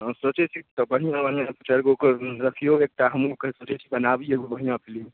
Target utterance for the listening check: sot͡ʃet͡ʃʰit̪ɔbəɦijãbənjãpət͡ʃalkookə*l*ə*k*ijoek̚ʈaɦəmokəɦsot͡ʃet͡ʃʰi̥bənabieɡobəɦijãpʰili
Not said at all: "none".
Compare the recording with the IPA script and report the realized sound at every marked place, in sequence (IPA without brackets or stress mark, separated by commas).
ɾ, kʰ